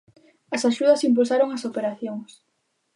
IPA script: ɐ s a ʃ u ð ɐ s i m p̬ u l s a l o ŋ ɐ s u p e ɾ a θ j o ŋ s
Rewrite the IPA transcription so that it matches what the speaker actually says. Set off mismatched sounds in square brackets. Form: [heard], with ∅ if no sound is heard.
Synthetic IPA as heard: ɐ s a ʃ u ð ɐ s i m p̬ u l s a [ɾ] o ŋ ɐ s [o] p e ɾ a θ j o ŋ s